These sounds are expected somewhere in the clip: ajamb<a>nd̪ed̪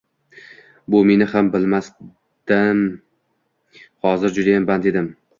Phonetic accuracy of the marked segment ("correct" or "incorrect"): correct